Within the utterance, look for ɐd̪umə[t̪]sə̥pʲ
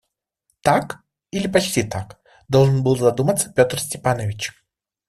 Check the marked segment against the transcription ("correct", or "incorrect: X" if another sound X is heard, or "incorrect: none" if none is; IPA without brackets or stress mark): correct